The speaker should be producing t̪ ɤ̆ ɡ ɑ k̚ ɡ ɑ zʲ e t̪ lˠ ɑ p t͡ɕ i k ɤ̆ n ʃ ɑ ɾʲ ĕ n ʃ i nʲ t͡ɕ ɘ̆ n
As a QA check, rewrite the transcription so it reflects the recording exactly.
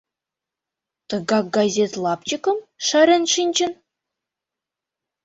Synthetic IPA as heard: t̪ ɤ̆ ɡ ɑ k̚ ɡ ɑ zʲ e t̪ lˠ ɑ p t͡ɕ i k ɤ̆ m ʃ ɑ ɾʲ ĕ n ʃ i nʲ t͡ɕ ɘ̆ n